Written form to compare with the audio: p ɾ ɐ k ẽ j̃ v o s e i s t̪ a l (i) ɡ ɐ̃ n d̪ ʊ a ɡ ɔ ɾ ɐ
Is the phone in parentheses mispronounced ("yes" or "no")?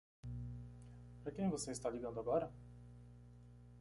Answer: no